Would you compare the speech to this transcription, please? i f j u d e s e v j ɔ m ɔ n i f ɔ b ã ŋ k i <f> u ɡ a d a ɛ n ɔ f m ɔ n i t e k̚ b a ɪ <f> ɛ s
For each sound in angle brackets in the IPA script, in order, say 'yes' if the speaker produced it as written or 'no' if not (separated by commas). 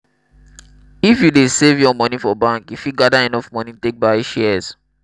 yes, no